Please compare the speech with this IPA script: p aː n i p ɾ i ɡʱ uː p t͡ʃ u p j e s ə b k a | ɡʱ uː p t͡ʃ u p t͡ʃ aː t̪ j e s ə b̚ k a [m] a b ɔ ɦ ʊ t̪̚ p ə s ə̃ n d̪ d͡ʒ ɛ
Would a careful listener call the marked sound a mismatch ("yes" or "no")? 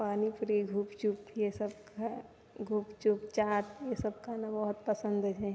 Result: yes